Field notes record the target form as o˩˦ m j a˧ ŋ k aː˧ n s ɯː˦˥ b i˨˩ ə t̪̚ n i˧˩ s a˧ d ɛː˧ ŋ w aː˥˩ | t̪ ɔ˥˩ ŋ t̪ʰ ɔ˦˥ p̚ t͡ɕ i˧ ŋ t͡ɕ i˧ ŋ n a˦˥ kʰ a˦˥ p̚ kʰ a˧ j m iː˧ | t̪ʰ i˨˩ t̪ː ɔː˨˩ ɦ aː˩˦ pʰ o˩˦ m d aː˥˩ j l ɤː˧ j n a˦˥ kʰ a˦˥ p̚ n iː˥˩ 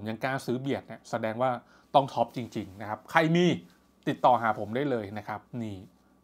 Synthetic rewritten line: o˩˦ m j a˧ ŋ k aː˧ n s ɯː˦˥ b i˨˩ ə t̪̚ n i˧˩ s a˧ d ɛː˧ ŋ w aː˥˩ | t̪ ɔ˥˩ ŋ t̪ʰ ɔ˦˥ p̚ t͡ɕ i˧ ŋ t͡ɕ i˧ ŋ n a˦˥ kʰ a˦˥ p̚ kʰ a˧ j m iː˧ | t̪ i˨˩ t̪ː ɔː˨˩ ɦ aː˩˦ pʰ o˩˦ m d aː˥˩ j l ɤː˧ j n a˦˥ kʰ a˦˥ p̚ n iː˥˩

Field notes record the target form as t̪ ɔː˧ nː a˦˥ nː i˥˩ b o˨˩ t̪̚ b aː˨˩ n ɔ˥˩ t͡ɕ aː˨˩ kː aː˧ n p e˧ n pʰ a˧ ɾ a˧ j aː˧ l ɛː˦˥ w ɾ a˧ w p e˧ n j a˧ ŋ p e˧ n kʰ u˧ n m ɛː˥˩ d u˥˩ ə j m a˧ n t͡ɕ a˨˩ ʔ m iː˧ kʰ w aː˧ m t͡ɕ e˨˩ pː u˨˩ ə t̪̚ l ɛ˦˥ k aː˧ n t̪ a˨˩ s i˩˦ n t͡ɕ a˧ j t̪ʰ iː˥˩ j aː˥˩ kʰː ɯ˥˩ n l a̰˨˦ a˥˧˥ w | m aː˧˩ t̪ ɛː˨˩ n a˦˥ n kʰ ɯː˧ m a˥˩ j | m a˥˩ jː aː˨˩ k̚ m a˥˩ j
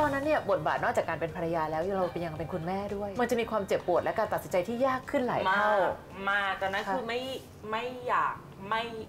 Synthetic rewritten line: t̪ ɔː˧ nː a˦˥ nː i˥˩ b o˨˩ t̪̚ b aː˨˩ n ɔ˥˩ t͡ɕ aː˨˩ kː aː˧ n p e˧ n pʰ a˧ ɾ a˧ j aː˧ l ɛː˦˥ w ɾ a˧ w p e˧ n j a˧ ŋ p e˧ n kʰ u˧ n m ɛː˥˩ d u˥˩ ə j m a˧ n t͡ɕ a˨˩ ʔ m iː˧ kʰ w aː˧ m t͡ɕ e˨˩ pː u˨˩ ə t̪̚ l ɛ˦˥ k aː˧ n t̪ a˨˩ s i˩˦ n t͡ɕ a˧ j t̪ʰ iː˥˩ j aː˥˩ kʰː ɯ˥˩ n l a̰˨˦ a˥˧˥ w | m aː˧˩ t̪ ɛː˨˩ n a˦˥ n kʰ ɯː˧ m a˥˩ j | m a˥˩ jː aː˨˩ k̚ m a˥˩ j

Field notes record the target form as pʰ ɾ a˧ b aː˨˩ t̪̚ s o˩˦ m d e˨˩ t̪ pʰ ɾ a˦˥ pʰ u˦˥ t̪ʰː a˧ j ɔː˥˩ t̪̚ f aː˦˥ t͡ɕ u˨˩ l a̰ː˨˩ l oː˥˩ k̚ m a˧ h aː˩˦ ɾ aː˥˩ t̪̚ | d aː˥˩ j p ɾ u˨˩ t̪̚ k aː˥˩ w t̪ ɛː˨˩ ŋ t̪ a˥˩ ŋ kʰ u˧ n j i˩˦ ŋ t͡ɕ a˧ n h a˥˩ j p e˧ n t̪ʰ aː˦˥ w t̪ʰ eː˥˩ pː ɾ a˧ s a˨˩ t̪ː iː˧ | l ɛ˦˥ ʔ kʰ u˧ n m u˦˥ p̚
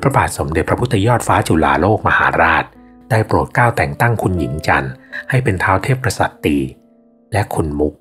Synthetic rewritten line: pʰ ɾ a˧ b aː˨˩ t̪̚ s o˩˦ m d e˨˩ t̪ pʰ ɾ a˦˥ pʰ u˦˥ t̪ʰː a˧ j ɔː˥˩ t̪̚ f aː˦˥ t͡ɕ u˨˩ l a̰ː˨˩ l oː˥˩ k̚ m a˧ h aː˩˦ ɾ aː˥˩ t̪̚ | d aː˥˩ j p ɾ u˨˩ t̪̚ k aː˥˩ w t̪ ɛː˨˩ ŋ t̪ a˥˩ ŋ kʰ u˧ n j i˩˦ ŋ t͡ɕ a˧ n h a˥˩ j p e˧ n t̪ʰ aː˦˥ w t̪ʰ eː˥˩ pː ɾ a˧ s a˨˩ t̪ː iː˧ | l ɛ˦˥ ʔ kʰ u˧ n m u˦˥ k̚

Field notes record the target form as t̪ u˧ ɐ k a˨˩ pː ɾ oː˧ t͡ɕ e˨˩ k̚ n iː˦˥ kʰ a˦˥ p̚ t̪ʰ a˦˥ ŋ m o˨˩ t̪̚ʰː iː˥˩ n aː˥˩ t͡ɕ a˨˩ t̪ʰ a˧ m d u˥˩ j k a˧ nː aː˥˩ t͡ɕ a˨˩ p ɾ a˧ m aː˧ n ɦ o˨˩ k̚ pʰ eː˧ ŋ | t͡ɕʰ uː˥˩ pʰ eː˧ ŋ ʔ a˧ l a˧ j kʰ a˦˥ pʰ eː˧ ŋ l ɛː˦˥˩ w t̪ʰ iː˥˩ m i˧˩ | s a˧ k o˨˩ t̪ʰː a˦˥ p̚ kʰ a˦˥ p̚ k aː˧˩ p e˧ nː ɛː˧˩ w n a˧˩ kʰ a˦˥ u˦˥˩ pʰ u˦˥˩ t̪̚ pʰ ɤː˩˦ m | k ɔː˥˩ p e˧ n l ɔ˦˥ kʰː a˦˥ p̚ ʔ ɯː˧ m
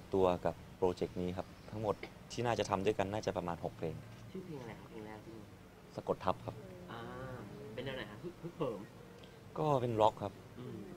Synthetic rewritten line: t̪ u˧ ɐ k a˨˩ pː ɾ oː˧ t͡ɕ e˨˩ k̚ n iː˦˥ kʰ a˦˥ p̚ t̪ʰ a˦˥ ŋ m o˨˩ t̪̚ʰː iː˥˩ n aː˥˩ t͡ɕ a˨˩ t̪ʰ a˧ m d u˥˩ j k a˧ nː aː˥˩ t͡ɕ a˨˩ p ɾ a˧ m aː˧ n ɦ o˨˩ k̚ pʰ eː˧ ŋ | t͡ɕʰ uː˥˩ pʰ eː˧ ŋ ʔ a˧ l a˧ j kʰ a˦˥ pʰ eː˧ ŋ l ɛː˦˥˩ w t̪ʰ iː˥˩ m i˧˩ | s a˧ k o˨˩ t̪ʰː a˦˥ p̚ kʰ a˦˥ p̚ ʔ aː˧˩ p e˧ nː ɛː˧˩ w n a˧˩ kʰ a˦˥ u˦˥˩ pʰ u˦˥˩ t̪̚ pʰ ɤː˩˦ m | k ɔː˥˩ p e˧ n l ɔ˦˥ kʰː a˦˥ p̚ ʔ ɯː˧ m

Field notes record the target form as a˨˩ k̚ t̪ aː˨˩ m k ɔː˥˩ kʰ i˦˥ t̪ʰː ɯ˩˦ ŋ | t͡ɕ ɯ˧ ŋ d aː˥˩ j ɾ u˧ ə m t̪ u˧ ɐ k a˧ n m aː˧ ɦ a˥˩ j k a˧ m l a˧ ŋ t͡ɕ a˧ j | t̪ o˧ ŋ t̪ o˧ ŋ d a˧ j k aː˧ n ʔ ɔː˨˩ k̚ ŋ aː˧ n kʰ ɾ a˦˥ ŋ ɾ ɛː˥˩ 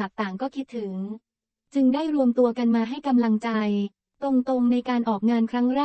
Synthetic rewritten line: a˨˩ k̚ t̪ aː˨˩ ŋ k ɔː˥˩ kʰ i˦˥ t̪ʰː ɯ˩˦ ŋ | t͡ɕ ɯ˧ ŋ d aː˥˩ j ɾ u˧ ə m t̪ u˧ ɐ k a˧ n m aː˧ ɦ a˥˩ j k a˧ m l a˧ ŋ t͡ɕ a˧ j | t̪ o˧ ŋ t̪ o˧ ŋ n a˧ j k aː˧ n ʔ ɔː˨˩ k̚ ŋ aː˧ n kʰ ɾ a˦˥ ŋ ɾ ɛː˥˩

